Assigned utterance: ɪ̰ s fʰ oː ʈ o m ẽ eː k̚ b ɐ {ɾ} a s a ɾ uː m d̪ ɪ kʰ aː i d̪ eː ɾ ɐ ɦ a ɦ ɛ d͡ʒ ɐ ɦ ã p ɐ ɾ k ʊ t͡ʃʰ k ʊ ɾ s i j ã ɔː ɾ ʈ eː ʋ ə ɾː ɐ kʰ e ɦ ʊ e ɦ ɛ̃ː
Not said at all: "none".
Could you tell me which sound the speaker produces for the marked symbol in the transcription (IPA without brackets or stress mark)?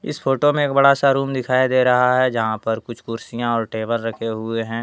ɽ